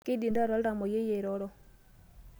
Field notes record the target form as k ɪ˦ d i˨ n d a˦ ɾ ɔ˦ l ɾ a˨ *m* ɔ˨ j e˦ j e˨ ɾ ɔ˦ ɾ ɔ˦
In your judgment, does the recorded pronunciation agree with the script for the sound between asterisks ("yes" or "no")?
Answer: yes